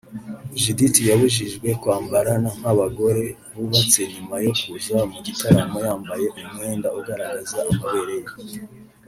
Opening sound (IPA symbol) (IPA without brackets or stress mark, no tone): ʒ